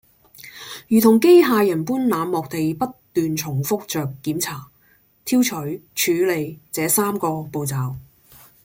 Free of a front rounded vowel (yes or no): no